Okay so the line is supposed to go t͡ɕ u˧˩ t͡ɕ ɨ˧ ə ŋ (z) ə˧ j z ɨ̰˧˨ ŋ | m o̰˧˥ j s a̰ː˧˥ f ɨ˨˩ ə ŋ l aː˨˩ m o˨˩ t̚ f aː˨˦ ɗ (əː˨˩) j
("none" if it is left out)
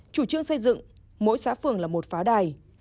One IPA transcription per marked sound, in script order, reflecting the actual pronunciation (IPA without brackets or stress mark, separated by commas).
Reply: s, aː˨˩